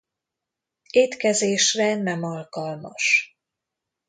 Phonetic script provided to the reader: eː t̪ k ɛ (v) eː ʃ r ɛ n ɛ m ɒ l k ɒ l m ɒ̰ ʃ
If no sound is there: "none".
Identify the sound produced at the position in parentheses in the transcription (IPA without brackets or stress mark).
z